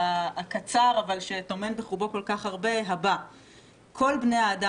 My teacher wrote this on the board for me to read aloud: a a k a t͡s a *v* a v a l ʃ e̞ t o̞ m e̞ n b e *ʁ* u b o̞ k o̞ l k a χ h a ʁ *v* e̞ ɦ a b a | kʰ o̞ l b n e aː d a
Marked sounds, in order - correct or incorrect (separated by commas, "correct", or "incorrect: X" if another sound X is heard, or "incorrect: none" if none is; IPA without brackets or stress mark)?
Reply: incorrect: ʁ, incorrect: χ, incorrect: b